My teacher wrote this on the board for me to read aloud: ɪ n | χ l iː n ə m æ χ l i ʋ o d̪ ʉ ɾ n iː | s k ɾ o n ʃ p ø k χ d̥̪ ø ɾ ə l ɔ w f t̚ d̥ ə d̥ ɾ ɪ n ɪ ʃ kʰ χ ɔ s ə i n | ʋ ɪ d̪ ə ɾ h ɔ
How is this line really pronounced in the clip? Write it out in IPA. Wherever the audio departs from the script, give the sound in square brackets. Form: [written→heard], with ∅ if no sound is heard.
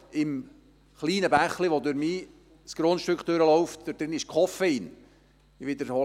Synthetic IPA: ɪ [n→m] | χ l iː n ə [m→b] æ χ l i ʋ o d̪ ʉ ɾ [n→m] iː | s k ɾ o n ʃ [p→t] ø k χ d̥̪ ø ɾ ə l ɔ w f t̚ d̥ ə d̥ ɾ ɪ n ɪ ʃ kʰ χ ɔ [s→f] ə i n | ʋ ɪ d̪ ə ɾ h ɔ